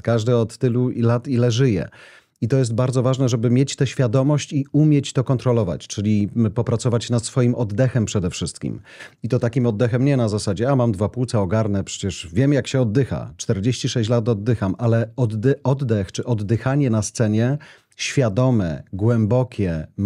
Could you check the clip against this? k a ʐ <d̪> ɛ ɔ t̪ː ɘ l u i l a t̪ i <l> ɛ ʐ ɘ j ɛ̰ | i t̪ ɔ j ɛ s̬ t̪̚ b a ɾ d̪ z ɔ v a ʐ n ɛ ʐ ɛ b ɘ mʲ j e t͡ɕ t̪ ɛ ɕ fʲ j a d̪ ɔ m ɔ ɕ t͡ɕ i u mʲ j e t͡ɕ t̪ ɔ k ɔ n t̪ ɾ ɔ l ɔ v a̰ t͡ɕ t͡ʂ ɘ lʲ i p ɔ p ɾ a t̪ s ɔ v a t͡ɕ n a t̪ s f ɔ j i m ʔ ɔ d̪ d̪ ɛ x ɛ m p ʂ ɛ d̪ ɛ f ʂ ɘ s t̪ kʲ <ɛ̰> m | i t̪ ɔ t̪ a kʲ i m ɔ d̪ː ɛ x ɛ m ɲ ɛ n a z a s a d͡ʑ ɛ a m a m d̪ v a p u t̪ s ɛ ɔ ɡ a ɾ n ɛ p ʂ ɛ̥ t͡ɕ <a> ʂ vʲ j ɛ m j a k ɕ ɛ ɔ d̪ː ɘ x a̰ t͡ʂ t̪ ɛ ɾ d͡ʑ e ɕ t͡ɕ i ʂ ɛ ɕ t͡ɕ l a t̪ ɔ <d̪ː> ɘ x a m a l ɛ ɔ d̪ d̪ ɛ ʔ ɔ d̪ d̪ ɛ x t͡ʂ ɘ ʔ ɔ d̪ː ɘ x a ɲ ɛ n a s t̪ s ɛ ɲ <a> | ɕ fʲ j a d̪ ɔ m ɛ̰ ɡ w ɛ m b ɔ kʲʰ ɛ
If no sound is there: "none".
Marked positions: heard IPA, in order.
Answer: d̪, l, ḭ, ɛ, d̪ː, ɛ

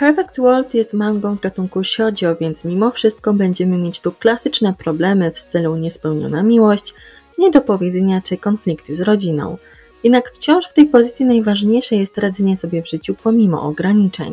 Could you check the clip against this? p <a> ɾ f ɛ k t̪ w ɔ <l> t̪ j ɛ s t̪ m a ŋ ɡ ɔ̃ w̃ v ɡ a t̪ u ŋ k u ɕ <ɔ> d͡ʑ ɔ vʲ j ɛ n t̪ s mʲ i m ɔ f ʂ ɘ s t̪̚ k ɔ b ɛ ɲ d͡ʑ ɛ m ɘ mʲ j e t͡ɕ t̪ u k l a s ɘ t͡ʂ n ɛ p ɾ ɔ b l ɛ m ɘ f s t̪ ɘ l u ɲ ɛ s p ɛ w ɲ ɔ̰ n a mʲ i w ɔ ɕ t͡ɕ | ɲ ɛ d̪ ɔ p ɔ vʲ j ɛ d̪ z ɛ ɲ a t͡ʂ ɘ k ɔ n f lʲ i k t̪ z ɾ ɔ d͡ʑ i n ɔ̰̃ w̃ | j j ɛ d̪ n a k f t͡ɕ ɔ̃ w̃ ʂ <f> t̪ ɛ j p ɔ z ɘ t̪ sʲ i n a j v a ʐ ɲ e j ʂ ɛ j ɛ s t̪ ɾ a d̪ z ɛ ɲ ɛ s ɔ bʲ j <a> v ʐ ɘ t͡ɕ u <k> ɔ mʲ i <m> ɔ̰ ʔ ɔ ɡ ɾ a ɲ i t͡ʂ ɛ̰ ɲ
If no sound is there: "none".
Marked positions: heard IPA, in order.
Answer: ɛ, l, ɔ, f, ɛ, p, m

